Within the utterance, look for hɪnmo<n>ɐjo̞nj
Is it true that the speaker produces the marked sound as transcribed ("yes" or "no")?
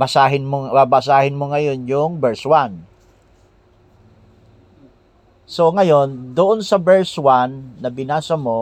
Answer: no